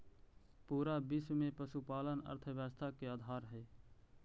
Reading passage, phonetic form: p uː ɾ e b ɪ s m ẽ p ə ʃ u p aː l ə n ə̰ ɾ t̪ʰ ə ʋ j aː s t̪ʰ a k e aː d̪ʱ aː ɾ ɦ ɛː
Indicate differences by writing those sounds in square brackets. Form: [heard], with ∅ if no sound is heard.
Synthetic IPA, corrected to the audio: p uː ɾ [a] b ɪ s m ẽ p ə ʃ u p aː l ə n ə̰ ɾ t̪ʰ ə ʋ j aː s t̪ʰ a k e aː d̪ʱ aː ɾ ɦ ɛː